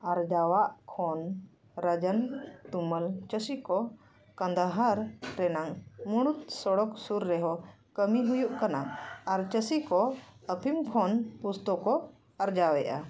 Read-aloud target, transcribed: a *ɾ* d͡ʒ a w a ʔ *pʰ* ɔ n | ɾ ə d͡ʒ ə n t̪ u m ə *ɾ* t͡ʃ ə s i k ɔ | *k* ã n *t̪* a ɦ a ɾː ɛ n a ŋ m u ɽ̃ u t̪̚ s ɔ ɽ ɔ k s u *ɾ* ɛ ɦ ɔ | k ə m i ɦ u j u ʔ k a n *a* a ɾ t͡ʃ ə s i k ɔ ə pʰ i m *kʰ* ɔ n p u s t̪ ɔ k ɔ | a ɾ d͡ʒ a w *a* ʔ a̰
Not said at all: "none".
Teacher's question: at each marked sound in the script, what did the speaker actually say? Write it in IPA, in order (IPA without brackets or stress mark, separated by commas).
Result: ɾ, kʰ, l, k, d̪, ɾː, a, kʰ, ɛ